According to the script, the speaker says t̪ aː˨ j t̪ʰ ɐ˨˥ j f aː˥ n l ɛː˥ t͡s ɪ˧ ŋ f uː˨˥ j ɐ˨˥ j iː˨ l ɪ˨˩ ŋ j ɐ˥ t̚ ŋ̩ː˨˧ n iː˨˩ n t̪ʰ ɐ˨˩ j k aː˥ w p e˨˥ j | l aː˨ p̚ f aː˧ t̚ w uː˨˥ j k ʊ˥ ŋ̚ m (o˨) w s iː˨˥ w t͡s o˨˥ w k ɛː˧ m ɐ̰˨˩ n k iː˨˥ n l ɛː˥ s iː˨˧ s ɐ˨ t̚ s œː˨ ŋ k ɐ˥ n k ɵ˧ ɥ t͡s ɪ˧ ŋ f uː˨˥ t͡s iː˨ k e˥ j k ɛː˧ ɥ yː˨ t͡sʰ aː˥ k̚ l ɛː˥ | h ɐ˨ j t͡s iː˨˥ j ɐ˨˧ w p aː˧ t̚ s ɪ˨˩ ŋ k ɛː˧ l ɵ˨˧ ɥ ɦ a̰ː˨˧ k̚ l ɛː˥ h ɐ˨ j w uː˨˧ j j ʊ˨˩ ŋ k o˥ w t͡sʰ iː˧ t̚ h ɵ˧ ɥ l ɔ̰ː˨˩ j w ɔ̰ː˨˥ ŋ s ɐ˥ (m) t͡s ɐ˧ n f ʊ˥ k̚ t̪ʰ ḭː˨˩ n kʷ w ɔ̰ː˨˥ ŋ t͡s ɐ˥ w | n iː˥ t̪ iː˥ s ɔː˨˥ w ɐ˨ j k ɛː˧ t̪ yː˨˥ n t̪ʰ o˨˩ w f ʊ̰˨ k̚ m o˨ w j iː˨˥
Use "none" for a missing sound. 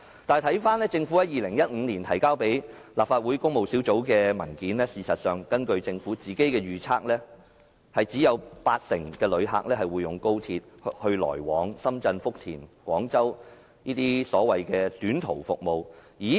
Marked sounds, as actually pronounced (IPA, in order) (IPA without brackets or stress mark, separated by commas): o˨, m